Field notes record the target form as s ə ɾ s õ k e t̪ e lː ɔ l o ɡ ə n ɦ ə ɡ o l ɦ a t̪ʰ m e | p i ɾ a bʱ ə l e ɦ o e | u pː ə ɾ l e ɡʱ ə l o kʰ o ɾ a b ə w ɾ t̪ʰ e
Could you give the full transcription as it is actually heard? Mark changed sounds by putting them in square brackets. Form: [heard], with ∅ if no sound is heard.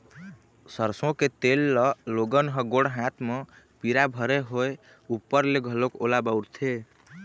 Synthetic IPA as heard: s ə ɾ s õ k e t̪ e lː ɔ l o ɡ ə n ɦ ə ɡ o [ɽ] ɦ a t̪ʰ m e | p i ɾ a bʱ ə [ɾ] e ɦ o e | u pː ə ɾ l e ɡʱ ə l o [k] o [l] a b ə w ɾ t̪ʰ e